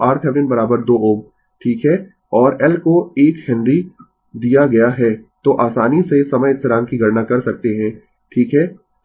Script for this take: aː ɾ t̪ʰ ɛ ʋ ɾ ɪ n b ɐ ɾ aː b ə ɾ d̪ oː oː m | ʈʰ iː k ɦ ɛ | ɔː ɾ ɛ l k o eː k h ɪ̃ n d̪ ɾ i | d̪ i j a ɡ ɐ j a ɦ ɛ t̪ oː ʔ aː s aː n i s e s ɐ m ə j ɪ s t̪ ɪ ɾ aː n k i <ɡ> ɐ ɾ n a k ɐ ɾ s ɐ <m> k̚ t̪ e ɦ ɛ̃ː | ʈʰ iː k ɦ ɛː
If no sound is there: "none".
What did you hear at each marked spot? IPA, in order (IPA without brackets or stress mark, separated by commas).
ɡ, none